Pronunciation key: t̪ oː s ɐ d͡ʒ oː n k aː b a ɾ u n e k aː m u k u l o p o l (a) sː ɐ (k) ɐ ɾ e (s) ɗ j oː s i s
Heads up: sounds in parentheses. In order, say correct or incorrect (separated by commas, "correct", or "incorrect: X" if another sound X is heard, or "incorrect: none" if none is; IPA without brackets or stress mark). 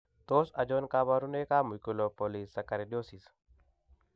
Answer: incorrect: i, correct, incorrect: none